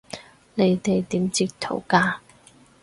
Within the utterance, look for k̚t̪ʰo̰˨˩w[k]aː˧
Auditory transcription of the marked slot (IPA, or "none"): k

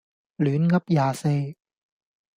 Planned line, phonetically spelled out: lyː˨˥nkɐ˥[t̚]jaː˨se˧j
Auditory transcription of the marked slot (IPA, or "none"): p̚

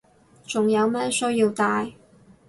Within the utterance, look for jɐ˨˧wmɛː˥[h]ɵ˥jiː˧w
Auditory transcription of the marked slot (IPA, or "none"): s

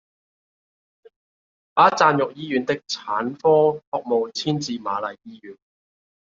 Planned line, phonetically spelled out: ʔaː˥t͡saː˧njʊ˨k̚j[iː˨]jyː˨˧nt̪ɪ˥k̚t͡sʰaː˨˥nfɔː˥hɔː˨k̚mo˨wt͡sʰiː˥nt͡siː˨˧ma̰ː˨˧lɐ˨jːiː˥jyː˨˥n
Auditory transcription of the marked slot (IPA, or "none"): iː˥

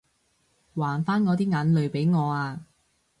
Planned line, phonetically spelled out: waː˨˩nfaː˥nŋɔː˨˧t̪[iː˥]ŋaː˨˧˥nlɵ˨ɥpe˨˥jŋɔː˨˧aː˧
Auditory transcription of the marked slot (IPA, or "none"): iː˥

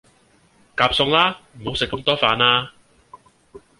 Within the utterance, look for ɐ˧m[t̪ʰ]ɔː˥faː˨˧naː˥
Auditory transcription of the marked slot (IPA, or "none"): t̪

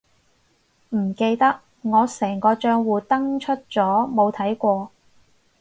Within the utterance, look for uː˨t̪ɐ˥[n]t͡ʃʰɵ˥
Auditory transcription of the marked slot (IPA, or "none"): ŋ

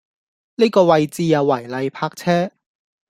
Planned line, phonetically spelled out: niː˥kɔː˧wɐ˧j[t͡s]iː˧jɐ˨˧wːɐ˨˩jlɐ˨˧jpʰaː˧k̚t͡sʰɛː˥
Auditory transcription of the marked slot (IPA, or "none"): t͡s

